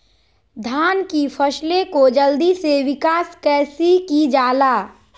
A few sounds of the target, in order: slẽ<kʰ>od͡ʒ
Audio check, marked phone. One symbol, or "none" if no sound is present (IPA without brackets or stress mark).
k